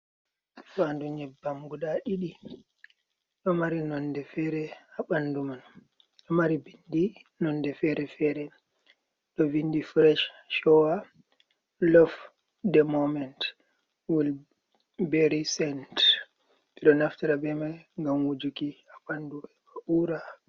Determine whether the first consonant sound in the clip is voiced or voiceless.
voiceless